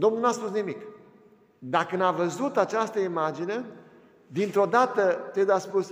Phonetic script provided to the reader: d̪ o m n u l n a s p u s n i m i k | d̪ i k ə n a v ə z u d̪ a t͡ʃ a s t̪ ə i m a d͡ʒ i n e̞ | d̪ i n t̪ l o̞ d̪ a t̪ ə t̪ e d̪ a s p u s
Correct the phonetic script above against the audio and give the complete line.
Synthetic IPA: d̪ o m n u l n a s p u s n i m i k | d̪ a k ə n a v ə z u t̪ a t͡ʃ a s t̪ ə i m a d͡ʒ i n e̞ | d̪ i n t̪ ɾ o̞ d̪ a t̪ ə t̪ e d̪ a s p u s